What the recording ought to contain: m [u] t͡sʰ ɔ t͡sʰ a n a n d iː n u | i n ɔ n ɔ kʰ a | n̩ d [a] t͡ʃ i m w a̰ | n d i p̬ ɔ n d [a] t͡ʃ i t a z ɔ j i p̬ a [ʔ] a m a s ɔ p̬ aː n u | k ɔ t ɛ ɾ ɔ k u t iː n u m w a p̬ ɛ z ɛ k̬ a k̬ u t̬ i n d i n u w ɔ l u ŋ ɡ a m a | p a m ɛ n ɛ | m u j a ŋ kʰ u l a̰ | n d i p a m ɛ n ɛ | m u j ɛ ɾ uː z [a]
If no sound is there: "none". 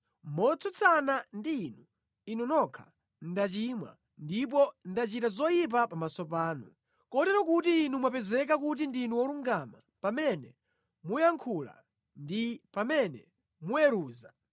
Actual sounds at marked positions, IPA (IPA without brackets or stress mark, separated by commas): ɔ, a, a, p, a